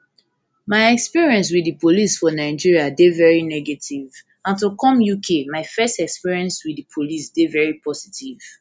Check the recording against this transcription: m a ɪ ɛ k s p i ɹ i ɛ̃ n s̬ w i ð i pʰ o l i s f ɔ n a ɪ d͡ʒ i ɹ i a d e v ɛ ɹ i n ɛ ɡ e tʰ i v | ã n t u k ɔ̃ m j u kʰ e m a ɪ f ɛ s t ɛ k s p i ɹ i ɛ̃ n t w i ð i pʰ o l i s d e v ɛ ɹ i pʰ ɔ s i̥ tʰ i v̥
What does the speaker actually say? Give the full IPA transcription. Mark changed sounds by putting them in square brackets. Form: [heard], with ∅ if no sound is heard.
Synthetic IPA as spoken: m a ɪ ɛ k s p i ɹ i ɛ̃ n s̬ w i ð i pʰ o l i s f ɔ n a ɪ d͡ʒ i ɹ i a d e v ɛ ɹ i n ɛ ɡ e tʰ i v | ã n t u k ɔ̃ m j u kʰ e m a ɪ f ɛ s t ɛ k s p i ɹ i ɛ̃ n [s] w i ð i pʰ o l i s d e v ɛ ɹ i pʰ ɔ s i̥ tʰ i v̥